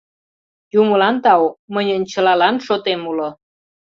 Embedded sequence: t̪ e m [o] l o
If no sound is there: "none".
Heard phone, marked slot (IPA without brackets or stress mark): u